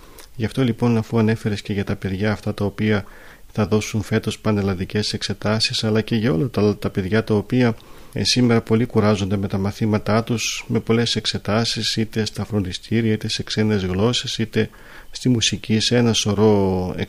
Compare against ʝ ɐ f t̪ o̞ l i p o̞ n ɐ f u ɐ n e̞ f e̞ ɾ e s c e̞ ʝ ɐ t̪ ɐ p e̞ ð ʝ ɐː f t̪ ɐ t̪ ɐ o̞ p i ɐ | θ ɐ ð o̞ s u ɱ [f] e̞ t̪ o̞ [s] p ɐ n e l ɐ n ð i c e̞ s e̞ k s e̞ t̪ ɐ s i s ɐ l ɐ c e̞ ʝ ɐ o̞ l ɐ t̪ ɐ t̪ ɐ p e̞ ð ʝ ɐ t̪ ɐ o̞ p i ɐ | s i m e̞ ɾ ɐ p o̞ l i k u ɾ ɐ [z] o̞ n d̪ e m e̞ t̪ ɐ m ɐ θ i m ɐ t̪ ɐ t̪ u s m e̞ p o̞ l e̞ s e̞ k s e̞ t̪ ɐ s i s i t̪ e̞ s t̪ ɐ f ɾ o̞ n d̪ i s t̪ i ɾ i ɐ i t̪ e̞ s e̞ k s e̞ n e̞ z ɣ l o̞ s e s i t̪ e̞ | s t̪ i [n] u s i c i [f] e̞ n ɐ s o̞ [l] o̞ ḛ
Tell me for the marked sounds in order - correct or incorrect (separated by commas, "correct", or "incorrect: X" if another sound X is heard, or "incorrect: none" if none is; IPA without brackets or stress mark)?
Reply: correct, correct, correct, incorrect: m, incorrect: s, incorrect: ɾ